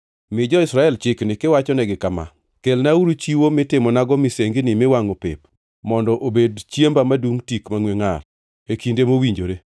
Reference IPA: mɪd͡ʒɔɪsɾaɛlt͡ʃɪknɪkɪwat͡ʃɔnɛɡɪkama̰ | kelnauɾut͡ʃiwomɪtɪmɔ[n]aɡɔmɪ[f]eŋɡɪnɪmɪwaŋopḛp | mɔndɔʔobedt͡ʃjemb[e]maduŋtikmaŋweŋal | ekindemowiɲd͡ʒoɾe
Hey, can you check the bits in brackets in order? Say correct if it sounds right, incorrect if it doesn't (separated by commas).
correct, incorrect, incorrect